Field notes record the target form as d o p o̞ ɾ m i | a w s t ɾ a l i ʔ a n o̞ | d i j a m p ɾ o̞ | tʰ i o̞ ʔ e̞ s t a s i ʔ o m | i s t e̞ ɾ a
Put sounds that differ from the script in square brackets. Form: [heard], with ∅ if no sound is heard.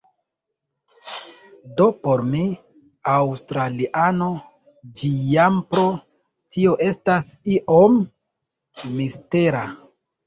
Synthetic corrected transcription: d o p o̞ ɾ m i | a w s t ɾ a l i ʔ a n o̞ | [d͡ʒ] i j a m p ɾ o̞ | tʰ i o̞ ʔ e̞ s t a s i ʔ o m | i s t e̞ ɾ a